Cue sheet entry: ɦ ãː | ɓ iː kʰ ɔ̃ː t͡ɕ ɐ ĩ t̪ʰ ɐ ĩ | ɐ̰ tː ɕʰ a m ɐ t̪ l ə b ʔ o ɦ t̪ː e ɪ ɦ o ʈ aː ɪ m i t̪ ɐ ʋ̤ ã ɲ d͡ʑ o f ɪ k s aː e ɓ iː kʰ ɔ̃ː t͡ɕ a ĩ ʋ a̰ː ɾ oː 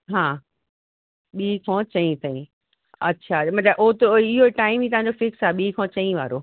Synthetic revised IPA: ɦ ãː | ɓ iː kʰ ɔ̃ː t͡ɕ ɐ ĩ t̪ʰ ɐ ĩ | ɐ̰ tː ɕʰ a m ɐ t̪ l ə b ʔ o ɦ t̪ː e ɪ ɦ o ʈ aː ɪ m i t̪ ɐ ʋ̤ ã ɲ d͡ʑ o f ɪ k s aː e ɓ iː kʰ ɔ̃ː t͡ɕ ɐ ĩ ʋ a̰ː ɾ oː